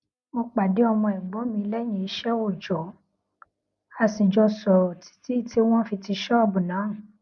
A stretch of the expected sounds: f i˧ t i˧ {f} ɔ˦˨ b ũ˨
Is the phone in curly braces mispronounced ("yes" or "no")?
yes